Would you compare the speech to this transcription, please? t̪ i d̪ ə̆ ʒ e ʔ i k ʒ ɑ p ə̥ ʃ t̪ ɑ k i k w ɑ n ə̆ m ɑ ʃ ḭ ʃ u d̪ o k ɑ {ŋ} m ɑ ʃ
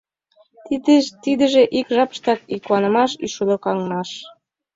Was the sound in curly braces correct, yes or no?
yes